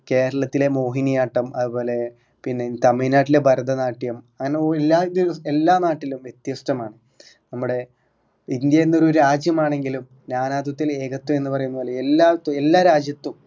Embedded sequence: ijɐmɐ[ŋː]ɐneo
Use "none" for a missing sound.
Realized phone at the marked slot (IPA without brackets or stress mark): ŋː